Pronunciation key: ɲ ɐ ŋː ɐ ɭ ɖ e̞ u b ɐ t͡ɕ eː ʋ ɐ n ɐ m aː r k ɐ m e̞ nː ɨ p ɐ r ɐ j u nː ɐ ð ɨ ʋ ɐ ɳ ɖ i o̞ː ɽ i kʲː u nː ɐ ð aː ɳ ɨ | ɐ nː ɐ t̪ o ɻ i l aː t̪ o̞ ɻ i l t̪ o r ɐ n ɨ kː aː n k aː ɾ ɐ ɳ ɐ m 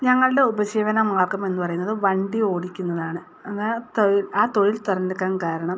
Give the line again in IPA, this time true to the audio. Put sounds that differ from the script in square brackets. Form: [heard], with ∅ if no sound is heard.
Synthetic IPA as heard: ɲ ɐ ŋː ɐ ɭ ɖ e̞ u b ɐ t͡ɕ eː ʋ ɐ n ɐ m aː r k ɐ m e̞ nː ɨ p ɐ r ɐ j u nː ɐ ð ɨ ʋ ɐ ɳ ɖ i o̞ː ɽ i kʲː u nː ɐ ð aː ɳ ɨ | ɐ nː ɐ t̪ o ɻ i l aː t̪ o̞ ɻ i l t̪ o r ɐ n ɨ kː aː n k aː ɾ ɐ ɳ ɐ m